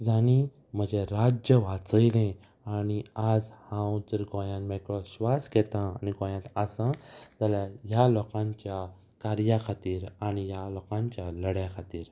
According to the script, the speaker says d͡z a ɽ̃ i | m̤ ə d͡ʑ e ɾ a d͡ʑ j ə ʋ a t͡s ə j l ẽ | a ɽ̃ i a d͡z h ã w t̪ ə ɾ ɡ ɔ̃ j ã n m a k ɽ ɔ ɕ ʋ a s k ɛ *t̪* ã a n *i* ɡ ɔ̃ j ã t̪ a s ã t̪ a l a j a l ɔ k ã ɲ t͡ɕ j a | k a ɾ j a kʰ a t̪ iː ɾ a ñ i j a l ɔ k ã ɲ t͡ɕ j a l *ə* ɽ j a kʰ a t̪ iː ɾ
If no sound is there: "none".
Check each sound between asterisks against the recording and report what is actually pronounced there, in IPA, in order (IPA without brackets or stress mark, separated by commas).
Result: t̪, i, ə